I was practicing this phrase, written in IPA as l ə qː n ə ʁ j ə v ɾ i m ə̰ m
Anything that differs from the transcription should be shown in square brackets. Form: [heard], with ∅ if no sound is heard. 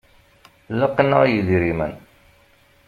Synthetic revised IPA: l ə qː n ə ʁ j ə [ð] ɾ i m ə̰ [n]